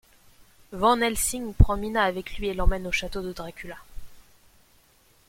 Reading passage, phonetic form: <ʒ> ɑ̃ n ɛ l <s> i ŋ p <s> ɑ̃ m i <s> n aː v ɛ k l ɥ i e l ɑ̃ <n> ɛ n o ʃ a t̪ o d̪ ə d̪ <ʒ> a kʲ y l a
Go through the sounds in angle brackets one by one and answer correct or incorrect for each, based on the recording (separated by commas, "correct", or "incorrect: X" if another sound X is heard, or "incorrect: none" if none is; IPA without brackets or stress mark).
incorrect: v, correct, incorrect: χ, incorrect: none, incorrect: m, incorrect: ʁ